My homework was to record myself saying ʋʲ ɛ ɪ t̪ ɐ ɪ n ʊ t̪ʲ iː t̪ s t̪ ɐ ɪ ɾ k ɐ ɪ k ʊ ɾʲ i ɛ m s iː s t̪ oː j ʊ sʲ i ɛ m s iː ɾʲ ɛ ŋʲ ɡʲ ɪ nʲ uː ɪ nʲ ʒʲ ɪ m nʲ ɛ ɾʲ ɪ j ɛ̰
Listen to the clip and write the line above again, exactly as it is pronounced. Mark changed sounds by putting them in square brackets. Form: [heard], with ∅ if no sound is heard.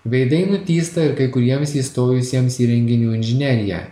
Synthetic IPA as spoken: ʋʲ ɛ ɪ [d̪] ɐ ɪ n ʊ t̪ʲ iː [∅] s t̪ ɐ ɪ ɾ k ɐ ɪ k ʊ ɾʲ i ɛ m s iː s t̪ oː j ʊ sʲ i ɛ m s iː ɾʲ ɛ ŋʲ ɡʲ ɪ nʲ uː ɪ nʲ ʒʲ ɪ [∅] nʲ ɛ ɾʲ ɪ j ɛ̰